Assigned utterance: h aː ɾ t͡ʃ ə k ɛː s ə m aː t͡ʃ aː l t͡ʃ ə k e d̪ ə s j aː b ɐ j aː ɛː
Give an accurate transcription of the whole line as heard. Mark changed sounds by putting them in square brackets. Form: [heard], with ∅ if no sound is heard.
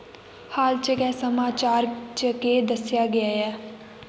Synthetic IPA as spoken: h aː [l] t͡ʃ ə k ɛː s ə m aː t͡ʃ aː [ɾ] t͡ʃ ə k e d̪ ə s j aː [ɡ] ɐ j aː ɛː